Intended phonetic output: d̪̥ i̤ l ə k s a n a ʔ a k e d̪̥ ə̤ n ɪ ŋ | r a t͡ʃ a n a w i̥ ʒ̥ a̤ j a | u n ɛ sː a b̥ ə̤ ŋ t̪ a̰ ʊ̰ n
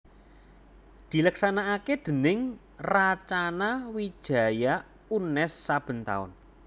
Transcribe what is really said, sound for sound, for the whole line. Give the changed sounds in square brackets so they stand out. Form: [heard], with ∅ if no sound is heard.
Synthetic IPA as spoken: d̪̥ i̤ l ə k s a n a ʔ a k e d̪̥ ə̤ n ɪ ŋ | r a t͡ʃ a n a w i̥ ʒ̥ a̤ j a | u n ɛ sː a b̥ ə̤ [n] t̪ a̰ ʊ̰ n